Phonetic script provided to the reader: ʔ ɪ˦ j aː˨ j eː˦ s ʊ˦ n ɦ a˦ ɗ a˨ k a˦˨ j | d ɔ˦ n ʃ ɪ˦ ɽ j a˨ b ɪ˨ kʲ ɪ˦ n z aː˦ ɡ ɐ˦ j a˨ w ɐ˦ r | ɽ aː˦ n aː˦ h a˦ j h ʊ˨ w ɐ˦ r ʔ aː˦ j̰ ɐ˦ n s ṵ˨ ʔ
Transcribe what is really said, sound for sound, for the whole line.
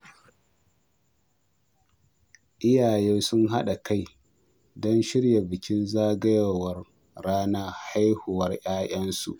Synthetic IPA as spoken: ʔ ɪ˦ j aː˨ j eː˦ s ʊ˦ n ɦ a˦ ɗ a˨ k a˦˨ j | d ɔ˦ n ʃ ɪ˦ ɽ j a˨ b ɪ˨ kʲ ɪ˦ n z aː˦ ɡ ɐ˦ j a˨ w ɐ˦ r | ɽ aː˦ n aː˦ h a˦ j h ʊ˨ w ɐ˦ r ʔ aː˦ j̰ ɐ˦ n s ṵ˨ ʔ

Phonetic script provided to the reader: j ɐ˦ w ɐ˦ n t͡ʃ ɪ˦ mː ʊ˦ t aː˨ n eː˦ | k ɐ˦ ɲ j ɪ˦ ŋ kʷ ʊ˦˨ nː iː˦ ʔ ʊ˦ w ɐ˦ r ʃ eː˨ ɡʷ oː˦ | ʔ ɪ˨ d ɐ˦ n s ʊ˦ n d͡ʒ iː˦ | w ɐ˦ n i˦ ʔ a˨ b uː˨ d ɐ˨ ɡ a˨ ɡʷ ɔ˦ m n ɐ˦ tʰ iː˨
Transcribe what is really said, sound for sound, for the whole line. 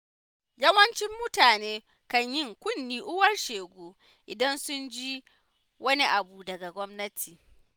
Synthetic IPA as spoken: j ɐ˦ w ɐ˦ n t͡ʃ ɪ˦ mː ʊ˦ t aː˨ n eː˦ | k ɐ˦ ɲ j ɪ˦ ŋ kʷ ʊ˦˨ nː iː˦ ʔ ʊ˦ w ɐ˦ r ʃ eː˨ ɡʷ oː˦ | ʔ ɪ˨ d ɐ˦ n s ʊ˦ n d͡ʒ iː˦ | w ɐ˦ n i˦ ʔ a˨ b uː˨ d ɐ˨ ɡ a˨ ɡʷ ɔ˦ m n ɐ˦ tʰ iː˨

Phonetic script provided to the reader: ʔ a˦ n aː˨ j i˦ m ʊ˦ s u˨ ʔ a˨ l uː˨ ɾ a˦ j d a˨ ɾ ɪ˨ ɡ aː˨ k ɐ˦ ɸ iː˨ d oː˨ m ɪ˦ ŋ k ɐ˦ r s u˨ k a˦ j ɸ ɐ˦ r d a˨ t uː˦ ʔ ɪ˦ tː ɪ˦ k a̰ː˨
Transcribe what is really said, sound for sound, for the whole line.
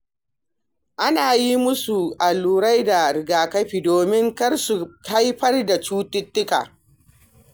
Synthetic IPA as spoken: ʔ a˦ n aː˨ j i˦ m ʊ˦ s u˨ ʔ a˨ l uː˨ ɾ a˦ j d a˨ ɾ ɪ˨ ɡ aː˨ k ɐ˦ ɸ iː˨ d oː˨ m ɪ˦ ŋ k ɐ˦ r s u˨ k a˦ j ɸ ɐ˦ r d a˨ t͡ʃ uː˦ t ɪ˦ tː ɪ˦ k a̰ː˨

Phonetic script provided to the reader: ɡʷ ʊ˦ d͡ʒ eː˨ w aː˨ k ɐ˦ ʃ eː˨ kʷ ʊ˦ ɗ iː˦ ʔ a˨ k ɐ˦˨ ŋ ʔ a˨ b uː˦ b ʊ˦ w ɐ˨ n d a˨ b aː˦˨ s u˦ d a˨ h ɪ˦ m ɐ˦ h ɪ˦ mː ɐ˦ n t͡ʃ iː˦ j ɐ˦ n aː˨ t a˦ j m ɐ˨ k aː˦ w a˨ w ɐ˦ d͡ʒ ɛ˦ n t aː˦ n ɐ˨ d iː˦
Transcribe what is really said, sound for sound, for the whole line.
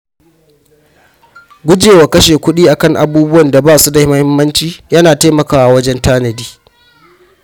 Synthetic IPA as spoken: ɡʷ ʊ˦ d͡ʒ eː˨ w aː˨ k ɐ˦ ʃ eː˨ kʷ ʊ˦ ɗ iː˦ ʔ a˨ k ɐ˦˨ ŋ ʔ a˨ b uː˦ b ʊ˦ w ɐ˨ n d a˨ b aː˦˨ s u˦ d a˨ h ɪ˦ m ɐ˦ h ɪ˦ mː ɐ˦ n t͡ʃ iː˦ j ɐ˦ n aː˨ t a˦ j m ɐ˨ k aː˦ w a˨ w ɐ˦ d͡ʒ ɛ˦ n t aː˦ n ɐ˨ d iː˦

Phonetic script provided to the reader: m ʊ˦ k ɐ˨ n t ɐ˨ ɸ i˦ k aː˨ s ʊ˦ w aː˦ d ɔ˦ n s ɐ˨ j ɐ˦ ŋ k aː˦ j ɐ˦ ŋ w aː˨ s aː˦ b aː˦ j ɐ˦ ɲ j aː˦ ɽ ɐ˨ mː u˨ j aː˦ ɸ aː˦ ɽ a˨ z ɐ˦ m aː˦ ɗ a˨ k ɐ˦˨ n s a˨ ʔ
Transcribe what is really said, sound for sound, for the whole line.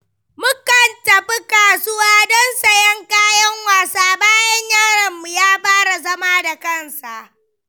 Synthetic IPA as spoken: m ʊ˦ k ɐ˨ n t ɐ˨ ɸ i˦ k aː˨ s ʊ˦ w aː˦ d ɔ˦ n s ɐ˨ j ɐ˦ ŋ k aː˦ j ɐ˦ ŋ w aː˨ s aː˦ b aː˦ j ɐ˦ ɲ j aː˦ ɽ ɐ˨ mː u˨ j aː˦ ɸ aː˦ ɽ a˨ z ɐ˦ m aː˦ d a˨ k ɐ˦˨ n s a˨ ʔ

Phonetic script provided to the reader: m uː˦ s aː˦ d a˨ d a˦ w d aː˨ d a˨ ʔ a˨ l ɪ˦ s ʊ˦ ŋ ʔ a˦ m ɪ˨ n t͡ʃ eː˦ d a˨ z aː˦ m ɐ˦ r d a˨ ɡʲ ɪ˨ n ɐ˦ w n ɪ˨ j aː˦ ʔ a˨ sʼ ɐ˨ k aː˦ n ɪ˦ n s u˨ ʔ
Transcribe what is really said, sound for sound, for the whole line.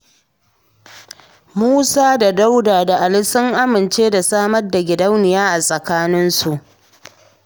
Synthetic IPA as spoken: m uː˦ s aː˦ d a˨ d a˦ w d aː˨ d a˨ ʔ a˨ l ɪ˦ s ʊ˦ ŋ ʔ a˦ m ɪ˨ n t͡ʃ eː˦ d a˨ s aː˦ m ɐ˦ r d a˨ ɡʲ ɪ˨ d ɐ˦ w n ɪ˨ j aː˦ ʔ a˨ sʼ ɐ˨ k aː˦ n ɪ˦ n s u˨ ʔ

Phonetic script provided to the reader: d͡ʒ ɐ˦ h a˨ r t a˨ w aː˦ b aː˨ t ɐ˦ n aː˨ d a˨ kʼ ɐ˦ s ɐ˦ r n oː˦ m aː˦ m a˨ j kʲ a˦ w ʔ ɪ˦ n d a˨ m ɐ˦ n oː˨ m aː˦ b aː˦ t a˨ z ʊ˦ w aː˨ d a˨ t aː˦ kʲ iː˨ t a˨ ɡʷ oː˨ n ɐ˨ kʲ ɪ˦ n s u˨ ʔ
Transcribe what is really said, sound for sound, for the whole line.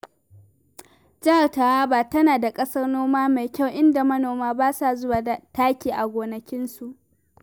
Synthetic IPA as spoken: d͡ʒ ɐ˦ h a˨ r t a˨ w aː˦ b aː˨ t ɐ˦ n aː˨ d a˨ kʼ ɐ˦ s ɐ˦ r n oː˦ m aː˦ m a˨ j kʲ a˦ w ʔ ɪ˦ n d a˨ m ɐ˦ n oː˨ m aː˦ b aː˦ s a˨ z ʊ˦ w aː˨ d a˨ t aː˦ kʲ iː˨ ʔ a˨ ɡʷ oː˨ n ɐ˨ kʲ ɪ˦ n s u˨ ʔ

